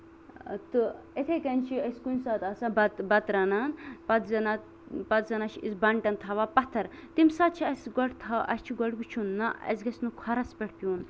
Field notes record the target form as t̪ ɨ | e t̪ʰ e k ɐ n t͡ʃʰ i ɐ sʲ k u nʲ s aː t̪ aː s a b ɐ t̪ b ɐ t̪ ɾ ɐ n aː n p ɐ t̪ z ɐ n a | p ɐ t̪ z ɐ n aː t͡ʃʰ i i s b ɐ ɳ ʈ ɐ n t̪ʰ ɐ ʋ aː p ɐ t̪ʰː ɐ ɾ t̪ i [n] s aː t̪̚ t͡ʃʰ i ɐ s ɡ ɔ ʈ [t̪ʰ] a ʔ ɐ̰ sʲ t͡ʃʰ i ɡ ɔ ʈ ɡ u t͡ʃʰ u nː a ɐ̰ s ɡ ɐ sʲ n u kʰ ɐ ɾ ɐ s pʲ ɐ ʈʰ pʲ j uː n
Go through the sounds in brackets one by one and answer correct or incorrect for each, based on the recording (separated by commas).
incorrect, correct